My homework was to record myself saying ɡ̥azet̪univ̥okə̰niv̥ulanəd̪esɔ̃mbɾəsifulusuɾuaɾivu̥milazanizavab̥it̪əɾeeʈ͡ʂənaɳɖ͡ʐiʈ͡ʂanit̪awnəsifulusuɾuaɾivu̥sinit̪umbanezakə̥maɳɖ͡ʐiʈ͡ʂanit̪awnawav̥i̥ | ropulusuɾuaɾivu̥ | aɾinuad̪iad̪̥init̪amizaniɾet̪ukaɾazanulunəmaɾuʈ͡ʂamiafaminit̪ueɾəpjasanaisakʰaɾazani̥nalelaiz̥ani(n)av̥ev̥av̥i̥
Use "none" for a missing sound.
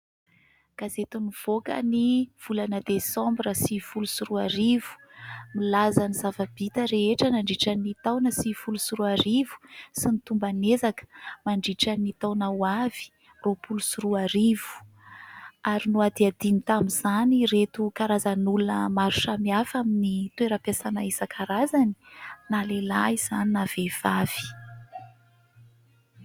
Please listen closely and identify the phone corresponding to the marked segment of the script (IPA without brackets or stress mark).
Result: n